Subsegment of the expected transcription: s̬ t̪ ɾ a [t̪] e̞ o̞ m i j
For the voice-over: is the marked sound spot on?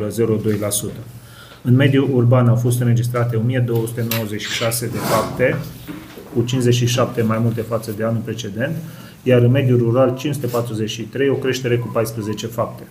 yes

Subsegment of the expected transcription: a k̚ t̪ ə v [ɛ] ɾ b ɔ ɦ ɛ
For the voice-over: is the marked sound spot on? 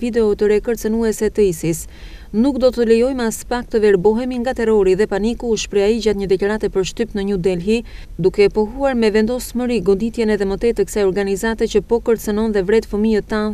yes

